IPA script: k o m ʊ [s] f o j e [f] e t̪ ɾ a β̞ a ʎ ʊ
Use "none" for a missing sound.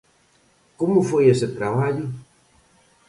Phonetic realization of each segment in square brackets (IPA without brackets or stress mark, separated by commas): none, s